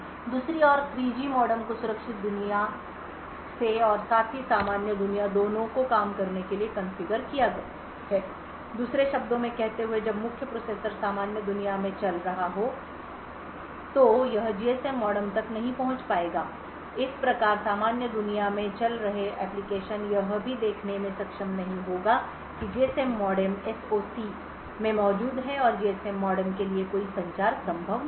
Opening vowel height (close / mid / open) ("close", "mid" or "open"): close